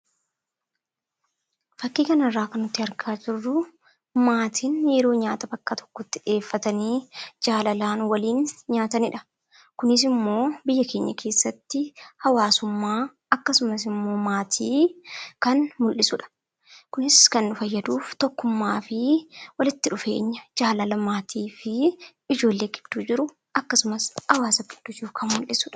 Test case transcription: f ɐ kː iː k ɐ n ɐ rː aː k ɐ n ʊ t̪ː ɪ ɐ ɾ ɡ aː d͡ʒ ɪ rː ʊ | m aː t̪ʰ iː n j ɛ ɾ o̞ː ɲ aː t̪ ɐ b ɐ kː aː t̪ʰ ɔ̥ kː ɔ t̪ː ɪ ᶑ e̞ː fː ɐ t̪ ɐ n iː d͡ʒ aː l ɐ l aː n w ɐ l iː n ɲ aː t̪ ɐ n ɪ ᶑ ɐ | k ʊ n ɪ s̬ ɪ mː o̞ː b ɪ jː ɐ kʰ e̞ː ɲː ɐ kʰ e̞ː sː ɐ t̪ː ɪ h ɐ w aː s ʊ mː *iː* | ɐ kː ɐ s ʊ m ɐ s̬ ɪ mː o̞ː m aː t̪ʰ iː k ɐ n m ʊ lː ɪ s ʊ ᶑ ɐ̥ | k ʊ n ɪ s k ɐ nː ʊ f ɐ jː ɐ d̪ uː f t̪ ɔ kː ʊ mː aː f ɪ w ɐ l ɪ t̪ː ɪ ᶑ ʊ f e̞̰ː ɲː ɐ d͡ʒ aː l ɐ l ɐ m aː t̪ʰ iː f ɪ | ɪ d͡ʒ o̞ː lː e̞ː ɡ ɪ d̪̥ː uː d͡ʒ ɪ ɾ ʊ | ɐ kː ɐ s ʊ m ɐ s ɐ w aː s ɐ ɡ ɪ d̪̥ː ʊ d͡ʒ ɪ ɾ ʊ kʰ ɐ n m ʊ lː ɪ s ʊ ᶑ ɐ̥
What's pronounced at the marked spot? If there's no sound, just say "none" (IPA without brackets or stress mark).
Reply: aː